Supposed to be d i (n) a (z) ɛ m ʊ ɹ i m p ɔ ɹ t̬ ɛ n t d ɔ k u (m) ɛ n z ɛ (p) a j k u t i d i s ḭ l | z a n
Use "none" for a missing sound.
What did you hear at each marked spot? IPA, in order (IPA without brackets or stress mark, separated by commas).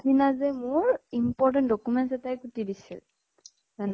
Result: n, z, m, t